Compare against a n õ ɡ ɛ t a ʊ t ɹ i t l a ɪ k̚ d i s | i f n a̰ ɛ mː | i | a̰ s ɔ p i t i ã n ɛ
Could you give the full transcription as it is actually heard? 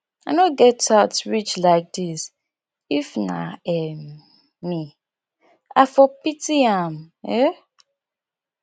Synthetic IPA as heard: a n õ ɡ ɛ t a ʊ t ɹ i t͡ʃ l a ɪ k̚ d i s | i f n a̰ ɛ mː | i | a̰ f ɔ p i t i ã m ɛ